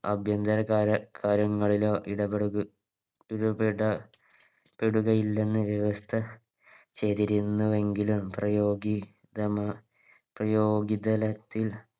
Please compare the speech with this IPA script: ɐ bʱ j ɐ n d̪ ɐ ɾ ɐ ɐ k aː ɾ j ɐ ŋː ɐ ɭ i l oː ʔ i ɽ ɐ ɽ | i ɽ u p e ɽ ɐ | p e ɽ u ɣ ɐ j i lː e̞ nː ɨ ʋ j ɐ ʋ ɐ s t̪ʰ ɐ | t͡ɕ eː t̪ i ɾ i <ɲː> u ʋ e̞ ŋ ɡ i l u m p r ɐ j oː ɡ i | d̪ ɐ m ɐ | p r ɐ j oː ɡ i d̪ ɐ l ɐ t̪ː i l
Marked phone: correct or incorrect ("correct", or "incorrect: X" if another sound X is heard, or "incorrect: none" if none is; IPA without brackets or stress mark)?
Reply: incorrect: nː